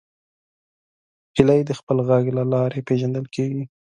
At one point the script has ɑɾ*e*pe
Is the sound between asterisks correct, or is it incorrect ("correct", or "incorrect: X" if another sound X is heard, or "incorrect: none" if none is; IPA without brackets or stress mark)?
correct